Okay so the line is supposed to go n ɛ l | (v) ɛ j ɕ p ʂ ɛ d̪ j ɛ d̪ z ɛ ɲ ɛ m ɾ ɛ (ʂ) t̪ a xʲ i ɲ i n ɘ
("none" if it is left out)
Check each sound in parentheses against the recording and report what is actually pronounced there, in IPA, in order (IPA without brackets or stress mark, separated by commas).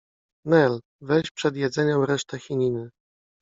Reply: v, ʂ